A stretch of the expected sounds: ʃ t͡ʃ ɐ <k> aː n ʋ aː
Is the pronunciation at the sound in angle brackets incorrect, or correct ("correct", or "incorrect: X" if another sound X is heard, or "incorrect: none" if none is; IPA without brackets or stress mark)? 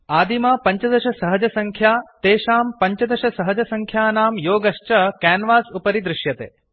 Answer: correct